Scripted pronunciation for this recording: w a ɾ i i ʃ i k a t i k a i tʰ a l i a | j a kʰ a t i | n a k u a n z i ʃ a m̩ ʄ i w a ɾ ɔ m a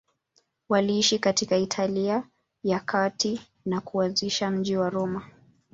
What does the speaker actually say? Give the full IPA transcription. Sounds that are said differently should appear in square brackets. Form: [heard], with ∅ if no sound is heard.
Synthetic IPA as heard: w a [l] i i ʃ i k a t i k a i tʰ a l i a | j a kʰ a t i | n a k u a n z i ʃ a m̩ ʄ i w a ɾ ɔ m a